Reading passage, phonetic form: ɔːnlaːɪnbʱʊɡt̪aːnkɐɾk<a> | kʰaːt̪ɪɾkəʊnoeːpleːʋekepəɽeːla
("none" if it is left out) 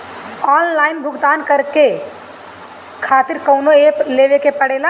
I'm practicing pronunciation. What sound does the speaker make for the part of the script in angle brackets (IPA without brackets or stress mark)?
e